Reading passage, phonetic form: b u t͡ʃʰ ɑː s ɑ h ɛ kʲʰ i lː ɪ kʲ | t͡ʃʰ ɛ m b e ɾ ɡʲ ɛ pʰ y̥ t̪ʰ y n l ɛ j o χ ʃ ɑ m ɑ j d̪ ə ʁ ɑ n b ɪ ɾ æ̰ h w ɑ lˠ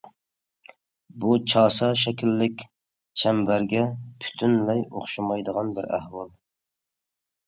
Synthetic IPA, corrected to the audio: b u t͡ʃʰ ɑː s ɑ ʃ ɛ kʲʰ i lː ɪ kʲ | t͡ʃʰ ɛ m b æ ɾ ɡʲ ɛ pʰ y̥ t̪ʰ y n l ɛ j o χ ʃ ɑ m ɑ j d̪ ə ʁ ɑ n b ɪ ɾ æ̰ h w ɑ lˠ